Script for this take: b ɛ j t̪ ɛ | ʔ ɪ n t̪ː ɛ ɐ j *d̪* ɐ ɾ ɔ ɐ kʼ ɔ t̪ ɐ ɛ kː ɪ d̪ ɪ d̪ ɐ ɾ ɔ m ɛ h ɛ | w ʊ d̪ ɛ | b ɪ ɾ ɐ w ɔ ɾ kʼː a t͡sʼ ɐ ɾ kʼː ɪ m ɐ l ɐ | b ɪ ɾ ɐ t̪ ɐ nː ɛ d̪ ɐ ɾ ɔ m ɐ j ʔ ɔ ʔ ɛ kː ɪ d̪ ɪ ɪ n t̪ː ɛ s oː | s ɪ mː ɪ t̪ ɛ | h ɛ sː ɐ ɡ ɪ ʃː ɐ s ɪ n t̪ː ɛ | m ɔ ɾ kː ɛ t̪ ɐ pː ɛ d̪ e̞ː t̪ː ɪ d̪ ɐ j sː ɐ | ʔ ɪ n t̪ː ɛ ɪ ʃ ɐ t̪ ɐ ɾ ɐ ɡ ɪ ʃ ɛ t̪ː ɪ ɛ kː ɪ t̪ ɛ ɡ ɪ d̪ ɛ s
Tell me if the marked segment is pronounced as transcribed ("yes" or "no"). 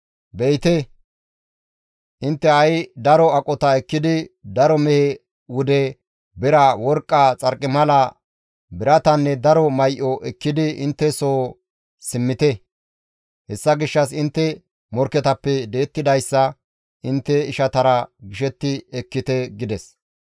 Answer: yes